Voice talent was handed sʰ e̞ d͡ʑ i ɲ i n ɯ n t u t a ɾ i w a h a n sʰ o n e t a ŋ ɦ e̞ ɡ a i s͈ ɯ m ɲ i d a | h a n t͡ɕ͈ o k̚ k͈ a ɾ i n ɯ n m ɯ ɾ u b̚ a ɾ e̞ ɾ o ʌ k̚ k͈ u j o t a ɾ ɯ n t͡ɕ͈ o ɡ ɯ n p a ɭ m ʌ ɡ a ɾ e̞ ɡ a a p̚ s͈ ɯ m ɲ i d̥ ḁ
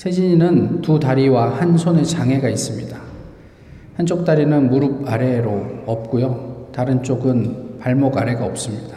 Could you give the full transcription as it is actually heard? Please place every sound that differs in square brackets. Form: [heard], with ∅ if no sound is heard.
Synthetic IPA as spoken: sʰ e̞ d͡ʑ i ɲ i n ɯ n t u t a ɾ i w a h a n sʰ o n e [t͡ɕ] a ŋ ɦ e̞ ɡ a i s͈ ɯ m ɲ i d a | h a n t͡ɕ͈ o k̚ [t͈] a ɾ i n ɯ n m [u] ɾ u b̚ a ɾ e̞ ɾ o ʌ [p̚] k͈ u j o t a ɾ ɯ n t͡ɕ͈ o ɡ ɯ n p a ɭ m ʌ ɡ a ɾ e̞ ɡ a [ʌ] p̚ s͈ ɯ m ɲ i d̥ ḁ